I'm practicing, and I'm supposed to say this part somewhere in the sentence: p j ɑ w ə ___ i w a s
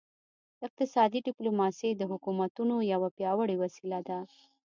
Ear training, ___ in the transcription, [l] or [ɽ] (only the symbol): ɽ